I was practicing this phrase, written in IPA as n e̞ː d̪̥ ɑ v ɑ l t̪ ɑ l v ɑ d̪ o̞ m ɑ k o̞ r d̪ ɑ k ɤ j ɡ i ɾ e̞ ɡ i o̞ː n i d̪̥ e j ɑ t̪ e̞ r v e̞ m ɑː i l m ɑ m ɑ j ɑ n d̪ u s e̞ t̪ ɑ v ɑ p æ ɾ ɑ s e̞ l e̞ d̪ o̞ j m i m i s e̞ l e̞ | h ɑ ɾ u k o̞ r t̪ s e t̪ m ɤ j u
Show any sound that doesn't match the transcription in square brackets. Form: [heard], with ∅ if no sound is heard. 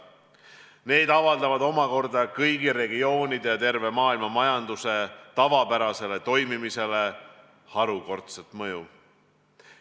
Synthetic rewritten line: n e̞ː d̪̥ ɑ v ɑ l [d̪] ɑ [∅] v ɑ d̪ o̞ m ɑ k o̞ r d̪ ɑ k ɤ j ɡ i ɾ e̞ ɡ i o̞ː n i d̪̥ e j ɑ t̪ e̞ r v e̞ m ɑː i l m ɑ m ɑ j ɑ n d̪ u s e̞ t̪ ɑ v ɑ p æ ɾ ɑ s e̞ l e̞ [t̪] o̞ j m i m i s e̞ l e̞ | h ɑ ɾ u k o̞ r t̪ s e t̪ m ɤ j u